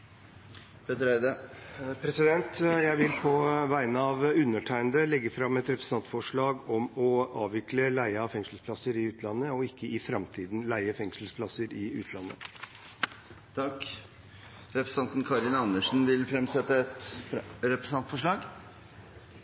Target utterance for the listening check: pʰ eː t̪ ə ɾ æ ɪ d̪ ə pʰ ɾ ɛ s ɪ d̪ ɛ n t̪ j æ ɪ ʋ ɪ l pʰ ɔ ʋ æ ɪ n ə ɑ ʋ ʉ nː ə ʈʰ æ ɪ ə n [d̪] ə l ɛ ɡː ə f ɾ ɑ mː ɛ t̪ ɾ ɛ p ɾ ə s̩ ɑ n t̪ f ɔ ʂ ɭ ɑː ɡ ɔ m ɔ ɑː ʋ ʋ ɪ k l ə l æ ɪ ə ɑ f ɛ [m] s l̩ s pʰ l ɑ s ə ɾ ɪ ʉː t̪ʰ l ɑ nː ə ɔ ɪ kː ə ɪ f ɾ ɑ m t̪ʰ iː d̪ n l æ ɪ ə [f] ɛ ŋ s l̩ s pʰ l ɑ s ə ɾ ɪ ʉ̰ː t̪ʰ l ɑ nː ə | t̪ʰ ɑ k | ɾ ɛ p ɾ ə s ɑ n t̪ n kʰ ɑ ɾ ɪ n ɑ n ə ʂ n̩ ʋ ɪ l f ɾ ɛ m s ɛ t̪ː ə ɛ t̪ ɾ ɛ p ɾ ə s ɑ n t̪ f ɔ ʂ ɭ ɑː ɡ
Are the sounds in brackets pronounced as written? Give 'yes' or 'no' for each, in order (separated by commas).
yes, no, yes